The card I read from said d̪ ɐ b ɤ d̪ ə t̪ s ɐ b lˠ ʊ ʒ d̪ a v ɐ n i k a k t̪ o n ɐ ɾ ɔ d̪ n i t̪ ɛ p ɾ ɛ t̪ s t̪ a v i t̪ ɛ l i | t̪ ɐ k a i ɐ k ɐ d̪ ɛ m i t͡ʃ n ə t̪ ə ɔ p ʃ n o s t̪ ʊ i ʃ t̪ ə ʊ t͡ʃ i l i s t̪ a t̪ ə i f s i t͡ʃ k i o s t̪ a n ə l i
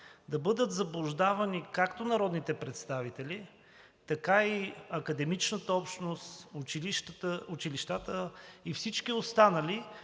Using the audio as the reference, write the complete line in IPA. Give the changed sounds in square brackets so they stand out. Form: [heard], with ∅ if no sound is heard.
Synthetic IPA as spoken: d̪ ɐ b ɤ d̪ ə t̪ [z] ɐ b lˠ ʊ ʒ d̪ a v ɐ n i k a k t̪ o n ɐ ɾ ɔ d̪ n i t̪ ɛ p ɾ ɛ t̪ s t̪ a v i t̪ ɛ l i | t̪ ɐ k a i ɐ k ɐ d̪ ɛ m i t͡ʃ n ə t̪ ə ɔ p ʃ n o s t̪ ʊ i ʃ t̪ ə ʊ t͡ʃ i l i [ʃ] t̪ a t̪ ə i f s i t͡ʃ k i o s t̪ a n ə l i